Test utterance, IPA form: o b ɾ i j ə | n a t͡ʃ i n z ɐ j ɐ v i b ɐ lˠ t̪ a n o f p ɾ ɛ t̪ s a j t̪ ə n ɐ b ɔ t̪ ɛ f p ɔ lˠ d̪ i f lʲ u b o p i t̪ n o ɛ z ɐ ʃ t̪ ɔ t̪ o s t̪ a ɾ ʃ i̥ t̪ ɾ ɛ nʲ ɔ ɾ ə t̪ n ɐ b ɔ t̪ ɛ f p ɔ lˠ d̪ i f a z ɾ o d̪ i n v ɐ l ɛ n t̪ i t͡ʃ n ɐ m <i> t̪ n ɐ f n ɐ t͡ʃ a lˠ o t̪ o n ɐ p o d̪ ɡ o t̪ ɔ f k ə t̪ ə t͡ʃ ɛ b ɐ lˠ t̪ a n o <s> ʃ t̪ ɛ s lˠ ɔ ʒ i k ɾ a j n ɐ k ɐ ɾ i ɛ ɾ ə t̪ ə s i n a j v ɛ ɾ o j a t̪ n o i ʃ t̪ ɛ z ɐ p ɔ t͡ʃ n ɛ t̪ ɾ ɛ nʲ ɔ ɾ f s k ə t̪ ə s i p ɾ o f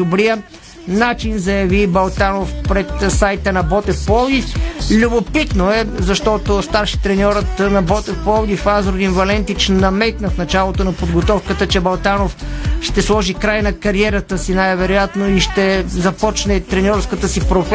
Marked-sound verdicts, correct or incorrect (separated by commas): incorrect, incorrect